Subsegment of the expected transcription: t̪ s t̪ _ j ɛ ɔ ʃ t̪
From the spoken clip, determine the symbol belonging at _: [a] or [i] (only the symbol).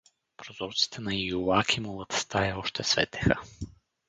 a